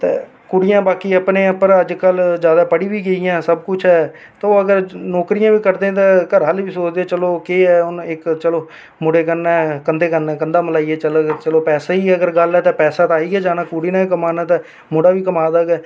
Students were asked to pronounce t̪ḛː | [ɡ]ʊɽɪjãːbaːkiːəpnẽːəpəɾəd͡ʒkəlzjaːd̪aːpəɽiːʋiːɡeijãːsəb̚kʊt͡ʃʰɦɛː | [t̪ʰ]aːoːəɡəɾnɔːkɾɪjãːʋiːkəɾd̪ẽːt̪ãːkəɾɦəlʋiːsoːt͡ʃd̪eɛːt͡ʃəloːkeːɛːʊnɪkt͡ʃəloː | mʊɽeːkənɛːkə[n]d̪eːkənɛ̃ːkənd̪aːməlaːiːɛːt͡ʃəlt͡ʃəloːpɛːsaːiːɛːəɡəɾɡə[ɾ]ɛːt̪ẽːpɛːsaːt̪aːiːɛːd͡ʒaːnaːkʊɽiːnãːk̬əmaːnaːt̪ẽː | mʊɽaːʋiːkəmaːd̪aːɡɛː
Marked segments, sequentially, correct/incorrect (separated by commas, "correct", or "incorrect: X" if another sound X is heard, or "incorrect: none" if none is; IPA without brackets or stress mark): incorrect: k, incorrect: t̪, correct, incorrect: l